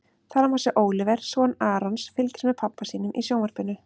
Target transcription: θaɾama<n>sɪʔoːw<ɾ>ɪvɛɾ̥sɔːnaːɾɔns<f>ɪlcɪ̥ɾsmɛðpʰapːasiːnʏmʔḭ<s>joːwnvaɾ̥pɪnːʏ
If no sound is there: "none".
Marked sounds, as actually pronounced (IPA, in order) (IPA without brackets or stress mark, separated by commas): none, l, f, s